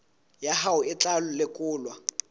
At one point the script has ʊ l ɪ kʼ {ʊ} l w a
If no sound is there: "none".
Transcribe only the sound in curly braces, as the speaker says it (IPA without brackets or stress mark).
ʊː